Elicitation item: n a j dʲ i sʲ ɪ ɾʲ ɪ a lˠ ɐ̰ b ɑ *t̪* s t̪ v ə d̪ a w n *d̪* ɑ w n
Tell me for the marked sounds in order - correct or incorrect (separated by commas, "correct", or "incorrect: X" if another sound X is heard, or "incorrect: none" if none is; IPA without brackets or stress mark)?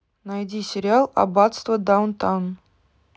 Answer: correct, incorrect: t̪